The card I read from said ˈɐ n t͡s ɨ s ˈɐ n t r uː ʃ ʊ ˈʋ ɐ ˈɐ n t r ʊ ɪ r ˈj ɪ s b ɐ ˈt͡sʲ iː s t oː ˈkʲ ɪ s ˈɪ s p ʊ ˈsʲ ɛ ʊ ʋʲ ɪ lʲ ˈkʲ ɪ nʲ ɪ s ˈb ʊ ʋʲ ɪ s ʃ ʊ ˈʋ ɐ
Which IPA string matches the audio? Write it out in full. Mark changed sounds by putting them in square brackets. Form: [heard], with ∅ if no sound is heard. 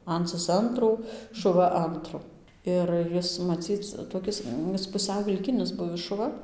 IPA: ˈɐ n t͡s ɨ s ˈɐ n t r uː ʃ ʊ ˈʋ ɐ ˈɐ n t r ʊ ɪ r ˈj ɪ s [m] ɐ ˈt͡sʲ iː [t͡s] t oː ˈkʲ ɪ s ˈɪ s p ʊ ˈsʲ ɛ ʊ ʋʲ ɪ lʲ ˈkʲ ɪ nʲ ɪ s ˈb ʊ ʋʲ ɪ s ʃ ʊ ˈʋ ɐ

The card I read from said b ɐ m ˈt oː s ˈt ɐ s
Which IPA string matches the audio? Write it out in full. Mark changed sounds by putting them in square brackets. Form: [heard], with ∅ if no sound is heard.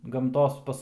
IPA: [ɡ] ɐ m ˈt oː s [ˈp] ɐ s

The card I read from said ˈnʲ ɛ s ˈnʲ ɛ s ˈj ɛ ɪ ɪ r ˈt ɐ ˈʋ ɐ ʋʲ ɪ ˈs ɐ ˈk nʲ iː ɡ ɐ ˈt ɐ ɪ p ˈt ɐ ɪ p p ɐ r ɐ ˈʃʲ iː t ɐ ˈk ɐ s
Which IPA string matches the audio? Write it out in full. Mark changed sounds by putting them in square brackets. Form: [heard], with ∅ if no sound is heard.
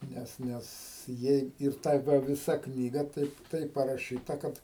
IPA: ˈnʲ ɛ s ˈnʲ ɛ s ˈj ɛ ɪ ɪ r ˈt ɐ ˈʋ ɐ ʋʲ ɪ ˈs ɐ ˈk nʲ iː ɡ ɐ ˈt ɐ ɪ p ˈt ɐ ɪ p p ɐ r ɐ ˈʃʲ iː t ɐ ˈk ɐ [t]

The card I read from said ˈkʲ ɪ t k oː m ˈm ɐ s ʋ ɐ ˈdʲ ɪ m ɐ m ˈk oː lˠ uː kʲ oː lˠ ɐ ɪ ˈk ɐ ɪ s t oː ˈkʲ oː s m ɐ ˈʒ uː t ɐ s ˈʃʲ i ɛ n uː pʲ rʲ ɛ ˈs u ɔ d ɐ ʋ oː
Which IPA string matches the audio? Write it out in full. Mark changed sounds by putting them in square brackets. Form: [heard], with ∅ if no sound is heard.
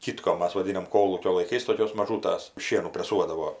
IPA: ˈkʲ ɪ t k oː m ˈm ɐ s ʋ ɐ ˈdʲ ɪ [n] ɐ m ˈk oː lˠ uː kʲ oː lˠ ɐ ɪ ˈk ɐ ɪ s t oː ˈkʲ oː s m ɐ ˈʒ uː t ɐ s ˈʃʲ i ɛ n uː pʲ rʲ ɛ ˈs u ɔ d ɐ ʋ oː

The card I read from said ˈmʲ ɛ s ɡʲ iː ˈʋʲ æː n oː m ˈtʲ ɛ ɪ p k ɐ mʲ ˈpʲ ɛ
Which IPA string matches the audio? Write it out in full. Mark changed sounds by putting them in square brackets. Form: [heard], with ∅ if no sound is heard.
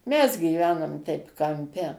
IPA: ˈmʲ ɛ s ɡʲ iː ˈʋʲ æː n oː m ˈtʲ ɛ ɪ p k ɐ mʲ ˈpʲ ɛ

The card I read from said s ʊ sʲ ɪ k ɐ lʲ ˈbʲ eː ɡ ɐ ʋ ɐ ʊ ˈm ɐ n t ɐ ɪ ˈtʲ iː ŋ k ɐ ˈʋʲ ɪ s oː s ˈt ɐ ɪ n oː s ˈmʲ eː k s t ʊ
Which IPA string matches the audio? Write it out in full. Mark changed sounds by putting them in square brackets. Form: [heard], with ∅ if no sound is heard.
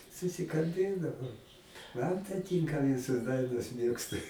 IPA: s ʊ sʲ ɪ k ɐ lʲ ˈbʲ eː [d] ɐ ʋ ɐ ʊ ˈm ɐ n t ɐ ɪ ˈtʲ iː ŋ k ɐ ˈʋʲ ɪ s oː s [ˈd] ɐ ɪ n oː s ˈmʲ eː k s t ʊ

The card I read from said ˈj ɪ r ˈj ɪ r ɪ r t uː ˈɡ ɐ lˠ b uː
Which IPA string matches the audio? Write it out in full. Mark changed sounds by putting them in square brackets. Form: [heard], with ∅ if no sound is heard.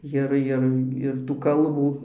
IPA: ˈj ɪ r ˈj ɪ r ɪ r t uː [ˈk] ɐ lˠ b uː

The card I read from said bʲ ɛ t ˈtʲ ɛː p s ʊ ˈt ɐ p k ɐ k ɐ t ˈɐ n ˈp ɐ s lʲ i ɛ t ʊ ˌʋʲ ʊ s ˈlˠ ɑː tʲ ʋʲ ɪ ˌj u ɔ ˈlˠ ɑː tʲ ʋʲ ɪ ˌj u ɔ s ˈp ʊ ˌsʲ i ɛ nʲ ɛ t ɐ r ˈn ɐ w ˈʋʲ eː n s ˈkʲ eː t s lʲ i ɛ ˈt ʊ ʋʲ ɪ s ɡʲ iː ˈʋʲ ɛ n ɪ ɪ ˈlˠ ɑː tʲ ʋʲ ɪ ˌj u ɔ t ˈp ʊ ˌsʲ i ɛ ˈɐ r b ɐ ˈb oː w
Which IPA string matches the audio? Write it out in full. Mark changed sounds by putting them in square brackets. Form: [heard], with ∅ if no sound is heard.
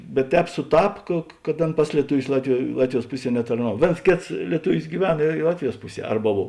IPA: bʲ ɛ t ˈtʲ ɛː p s ʊ ˈt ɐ p k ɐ k ɐ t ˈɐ n ˈp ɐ s lʲ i ɛ t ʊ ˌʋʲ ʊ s ˈlˠ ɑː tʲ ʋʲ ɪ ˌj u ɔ ˈlˠ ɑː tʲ ʋʲ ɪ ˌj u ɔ s ˈp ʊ ˌsʲ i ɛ nʲ ɛ t ɐ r ˈn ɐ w ˈʋʲ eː n s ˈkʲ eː t s lʲ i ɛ ˈt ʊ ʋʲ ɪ s ɡʲ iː ˈʋʲ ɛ n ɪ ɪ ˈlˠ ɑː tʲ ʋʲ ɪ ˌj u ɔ [s] ˈp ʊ ˌsʲ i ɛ ˈɐ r b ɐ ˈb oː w

